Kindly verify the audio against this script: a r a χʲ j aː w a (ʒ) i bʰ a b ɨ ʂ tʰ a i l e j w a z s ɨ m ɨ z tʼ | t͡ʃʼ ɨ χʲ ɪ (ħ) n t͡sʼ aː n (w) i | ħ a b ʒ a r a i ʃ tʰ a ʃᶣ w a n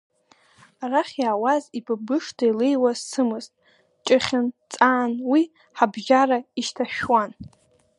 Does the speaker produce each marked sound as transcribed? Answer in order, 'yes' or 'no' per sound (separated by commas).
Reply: no, no, yes